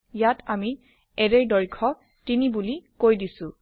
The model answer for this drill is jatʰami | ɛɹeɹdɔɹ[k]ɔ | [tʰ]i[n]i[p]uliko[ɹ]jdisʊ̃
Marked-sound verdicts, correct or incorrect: incorrect: kʰ, incorrect: t, correct, incorrect: b, incorrect: none

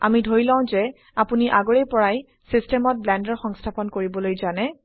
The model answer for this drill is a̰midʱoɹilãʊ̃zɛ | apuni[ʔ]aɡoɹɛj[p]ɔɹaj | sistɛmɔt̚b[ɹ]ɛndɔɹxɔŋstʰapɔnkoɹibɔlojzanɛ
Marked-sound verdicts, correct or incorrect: correct, correct, incorrect: l

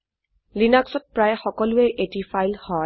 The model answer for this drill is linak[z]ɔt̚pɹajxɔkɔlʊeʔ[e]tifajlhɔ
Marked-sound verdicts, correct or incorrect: incorrect: s, correct

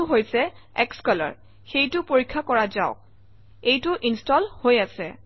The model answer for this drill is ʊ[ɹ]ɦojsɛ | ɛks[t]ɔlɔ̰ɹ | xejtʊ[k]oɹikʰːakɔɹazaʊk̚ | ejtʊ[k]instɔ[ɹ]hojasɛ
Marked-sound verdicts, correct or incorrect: incorrect: none, incorrect: k, incorrect: p, incorrect: ʔ, incorrect: l

